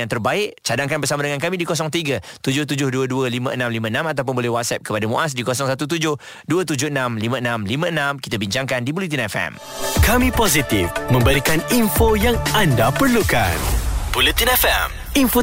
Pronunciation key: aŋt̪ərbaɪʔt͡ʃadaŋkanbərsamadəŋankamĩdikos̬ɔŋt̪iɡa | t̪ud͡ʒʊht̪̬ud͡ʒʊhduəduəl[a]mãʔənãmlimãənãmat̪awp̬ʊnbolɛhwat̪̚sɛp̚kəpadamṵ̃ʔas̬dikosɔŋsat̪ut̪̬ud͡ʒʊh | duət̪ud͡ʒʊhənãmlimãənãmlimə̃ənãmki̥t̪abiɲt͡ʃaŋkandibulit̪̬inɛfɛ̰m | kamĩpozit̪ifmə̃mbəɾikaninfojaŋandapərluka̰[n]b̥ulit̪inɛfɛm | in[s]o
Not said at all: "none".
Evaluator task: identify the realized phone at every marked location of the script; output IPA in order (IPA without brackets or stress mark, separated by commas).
i, n, f